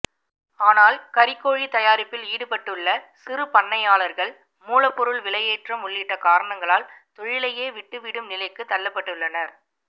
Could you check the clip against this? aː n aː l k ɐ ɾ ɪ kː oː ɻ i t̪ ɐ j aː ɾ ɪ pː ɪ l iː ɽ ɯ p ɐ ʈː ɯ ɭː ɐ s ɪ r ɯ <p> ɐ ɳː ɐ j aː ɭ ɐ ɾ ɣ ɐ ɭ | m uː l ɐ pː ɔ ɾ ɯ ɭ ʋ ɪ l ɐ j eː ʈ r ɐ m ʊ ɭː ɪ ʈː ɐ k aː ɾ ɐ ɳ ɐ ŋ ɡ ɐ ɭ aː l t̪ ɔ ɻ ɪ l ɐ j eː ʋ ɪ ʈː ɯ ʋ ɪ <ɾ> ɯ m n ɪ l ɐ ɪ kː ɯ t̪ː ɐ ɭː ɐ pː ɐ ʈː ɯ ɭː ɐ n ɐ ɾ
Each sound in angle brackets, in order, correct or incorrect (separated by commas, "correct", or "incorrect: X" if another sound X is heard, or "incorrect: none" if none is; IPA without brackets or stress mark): correct, incorrect: ɽ